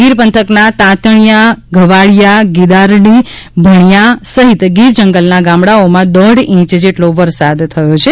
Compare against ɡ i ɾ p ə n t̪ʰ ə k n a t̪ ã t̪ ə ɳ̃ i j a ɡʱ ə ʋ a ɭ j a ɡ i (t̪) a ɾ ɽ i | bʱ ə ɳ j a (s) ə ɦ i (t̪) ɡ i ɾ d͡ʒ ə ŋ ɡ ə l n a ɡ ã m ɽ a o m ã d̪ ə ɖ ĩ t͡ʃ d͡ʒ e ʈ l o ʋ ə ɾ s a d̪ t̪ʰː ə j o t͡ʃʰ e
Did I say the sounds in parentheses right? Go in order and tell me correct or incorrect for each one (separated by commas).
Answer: incorrect, correct, correct